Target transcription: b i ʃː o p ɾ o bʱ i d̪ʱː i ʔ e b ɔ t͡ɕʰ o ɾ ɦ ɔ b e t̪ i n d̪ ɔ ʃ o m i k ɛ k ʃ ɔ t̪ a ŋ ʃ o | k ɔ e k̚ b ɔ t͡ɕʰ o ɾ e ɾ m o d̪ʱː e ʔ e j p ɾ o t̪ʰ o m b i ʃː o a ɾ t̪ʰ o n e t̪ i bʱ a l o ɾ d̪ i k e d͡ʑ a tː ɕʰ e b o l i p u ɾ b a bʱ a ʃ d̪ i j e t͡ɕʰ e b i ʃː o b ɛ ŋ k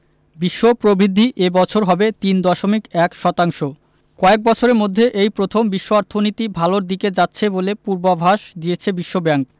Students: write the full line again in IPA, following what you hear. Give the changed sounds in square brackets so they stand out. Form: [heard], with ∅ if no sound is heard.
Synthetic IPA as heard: b i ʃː o p ɾ o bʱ i d̪ʱː i ʔ e b ɔ t͡ɕʰ o ɾ ɦ ɔ b e t̪ i n d̪ ɔ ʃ o m i k ɛ k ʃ ɔ t̪ a ŋ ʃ o | k ɔ e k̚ b ɔ t͡ɕʰ o ɾ e ɾ m o d̪ʱː e ʔ e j p ɾ o t̪ʰ o m b i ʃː o a ɾ t̪ʰ o n [i] t̪ i bʱ a l o ɾ d̪ i k e d͡ʑ a tː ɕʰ e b o l [e] p u ɾ b a bʱ a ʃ d̪ i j e t͡ɕʰ e b i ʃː o b ɛ ŋ k